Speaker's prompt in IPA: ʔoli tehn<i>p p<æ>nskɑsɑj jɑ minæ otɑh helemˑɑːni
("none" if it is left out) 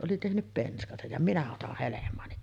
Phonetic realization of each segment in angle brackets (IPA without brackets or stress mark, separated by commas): y, e